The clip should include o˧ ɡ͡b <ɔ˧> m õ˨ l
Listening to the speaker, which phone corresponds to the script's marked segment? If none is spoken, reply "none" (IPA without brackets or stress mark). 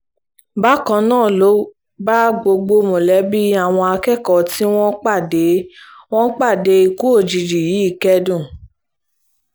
o˧